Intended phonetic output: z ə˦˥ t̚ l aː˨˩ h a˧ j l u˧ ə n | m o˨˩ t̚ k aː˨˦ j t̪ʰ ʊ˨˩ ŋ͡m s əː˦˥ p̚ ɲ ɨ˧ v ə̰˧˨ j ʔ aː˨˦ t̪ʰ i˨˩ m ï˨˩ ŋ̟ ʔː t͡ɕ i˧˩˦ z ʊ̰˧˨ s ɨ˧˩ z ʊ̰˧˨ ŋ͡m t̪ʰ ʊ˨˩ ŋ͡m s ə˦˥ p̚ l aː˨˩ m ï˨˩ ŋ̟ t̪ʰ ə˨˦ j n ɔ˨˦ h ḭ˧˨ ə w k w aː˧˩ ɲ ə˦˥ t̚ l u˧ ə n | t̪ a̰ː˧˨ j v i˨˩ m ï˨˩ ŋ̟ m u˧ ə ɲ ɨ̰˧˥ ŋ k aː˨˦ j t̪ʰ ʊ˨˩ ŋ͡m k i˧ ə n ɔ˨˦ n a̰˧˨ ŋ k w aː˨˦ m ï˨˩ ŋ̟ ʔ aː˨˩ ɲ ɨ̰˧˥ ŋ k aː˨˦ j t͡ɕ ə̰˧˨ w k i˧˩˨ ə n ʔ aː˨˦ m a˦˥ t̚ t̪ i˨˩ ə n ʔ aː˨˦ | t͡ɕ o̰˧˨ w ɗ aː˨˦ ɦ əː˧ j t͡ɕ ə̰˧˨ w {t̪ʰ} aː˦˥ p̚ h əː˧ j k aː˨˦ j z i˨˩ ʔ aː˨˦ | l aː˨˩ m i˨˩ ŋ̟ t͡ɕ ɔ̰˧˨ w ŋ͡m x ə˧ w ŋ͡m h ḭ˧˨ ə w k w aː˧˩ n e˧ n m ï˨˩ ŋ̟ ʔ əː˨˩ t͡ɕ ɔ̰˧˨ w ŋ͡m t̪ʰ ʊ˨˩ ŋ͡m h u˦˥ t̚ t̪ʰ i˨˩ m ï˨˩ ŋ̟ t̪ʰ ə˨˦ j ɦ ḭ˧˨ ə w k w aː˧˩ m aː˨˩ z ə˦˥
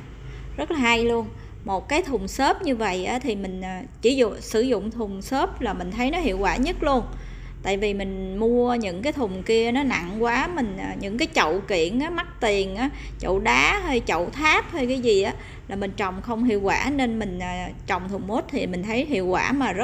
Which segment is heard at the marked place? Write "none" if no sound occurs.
t̪ʰ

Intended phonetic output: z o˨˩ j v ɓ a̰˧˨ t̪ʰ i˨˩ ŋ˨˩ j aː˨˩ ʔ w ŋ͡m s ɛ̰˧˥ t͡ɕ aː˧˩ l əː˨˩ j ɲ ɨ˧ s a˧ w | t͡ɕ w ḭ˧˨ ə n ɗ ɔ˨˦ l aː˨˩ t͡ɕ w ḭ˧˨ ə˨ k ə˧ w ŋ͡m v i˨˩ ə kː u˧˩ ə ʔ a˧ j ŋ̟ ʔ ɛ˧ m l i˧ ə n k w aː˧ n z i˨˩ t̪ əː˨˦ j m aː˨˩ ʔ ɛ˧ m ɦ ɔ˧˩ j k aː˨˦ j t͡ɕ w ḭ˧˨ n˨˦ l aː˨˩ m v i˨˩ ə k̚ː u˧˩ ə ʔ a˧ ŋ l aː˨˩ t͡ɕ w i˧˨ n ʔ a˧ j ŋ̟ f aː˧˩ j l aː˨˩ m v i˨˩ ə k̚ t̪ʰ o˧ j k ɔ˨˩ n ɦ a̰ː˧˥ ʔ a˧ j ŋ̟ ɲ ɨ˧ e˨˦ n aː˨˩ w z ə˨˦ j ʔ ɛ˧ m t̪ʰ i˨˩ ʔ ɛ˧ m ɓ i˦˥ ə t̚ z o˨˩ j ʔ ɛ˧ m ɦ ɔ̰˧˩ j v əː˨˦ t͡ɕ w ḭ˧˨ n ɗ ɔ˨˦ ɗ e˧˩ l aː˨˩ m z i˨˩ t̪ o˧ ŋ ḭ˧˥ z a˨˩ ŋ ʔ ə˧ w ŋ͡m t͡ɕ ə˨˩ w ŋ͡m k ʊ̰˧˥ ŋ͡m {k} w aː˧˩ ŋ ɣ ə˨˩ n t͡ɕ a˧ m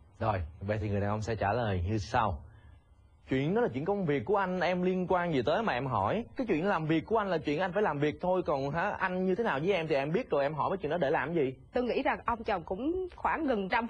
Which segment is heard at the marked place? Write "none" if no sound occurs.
x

